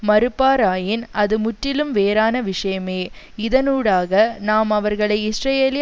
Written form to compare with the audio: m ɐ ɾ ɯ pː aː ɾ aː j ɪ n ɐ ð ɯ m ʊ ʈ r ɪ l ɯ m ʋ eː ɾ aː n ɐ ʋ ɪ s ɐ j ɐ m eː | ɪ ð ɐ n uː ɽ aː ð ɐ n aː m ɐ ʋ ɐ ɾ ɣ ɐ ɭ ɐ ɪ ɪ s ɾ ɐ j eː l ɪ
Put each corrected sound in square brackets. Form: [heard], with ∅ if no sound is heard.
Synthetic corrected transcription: m ɐ ɾ ɯ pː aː ɾ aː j ɪ n ɐ ð ɯ m ʊ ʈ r ɪ l ɯ m ʋ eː ɾ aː n ɐ ʋ ɪ [ʂ] ɐ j ɐ m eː | ɪ ð ɐ n uː ɽ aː [ɣ] ɐ n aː m ɐ ʋ ɐ ɾ ɣ ɐ ɭ ɐ ɪ ɪ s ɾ ɐ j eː l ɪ